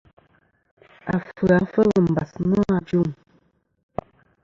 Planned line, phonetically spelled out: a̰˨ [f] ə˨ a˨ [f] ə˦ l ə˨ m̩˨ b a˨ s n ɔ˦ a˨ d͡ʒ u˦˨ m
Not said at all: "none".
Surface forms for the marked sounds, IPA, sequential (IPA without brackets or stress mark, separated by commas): f, f